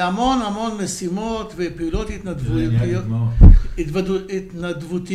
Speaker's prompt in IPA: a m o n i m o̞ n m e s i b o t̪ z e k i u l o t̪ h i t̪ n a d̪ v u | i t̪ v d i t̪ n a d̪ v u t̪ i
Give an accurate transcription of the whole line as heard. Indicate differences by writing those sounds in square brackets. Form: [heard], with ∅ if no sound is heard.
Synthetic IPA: a m o n [a] m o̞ n m e s i [m] o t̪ [v] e [p] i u l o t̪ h i t̪ n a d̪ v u | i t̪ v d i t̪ n a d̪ v u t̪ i